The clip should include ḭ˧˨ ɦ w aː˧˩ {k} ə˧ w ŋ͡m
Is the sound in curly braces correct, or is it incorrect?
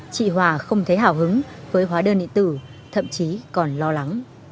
incorrect